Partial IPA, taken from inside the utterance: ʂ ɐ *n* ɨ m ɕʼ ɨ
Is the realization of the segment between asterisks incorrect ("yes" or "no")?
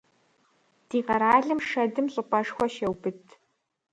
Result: yes